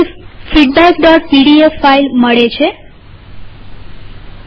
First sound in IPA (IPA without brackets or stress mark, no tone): f